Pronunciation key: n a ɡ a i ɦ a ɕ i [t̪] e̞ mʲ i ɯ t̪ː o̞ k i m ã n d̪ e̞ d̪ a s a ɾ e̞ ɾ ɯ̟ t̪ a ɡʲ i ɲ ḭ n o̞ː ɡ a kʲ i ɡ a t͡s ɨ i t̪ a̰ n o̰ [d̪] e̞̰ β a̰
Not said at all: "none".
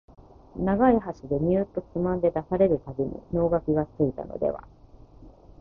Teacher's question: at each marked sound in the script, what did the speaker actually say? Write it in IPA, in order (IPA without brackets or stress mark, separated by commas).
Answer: d̪, d̪